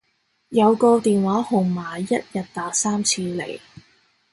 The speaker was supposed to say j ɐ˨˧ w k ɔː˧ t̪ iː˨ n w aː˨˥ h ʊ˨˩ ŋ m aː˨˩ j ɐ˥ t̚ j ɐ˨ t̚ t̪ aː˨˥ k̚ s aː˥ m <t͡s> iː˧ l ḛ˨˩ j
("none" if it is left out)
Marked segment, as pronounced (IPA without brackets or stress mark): t͡sʰ